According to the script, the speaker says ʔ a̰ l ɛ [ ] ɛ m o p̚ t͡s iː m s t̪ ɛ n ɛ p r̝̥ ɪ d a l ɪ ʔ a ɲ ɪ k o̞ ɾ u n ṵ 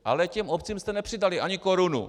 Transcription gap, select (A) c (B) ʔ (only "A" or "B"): A